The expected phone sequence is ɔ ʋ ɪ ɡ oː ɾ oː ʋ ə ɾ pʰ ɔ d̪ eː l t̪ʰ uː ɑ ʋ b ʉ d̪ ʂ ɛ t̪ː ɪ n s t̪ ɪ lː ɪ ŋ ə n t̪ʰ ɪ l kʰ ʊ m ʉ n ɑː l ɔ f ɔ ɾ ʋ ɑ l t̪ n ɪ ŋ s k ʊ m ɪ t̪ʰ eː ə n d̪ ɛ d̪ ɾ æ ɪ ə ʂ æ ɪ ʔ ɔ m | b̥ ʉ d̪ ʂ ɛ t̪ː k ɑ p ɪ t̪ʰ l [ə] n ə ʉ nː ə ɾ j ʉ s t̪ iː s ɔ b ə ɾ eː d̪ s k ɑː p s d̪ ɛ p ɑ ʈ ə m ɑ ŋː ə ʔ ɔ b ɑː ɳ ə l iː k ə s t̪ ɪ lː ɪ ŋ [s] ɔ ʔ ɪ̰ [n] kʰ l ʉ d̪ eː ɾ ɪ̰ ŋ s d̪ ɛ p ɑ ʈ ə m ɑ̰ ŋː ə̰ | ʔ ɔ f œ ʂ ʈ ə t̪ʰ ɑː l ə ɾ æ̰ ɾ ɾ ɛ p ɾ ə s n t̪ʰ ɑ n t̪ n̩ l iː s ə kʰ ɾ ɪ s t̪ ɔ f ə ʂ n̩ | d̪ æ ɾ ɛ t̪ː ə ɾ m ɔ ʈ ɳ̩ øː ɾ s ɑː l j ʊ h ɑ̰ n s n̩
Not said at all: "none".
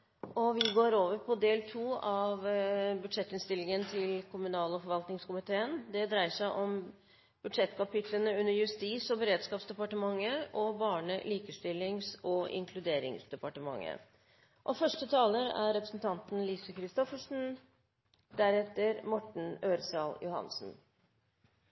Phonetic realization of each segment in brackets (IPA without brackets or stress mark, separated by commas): ə, s, ŋ